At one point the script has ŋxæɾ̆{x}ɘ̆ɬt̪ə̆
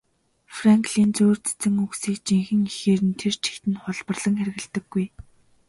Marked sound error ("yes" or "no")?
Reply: yes